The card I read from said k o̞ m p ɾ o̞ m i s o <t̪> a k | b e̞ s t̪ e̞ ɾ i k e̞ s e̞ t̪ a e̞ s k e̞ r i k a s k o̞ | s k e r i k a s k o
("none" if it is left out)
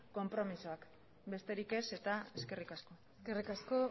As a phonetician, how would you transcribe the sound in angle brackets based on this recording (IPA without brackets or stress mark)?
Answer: none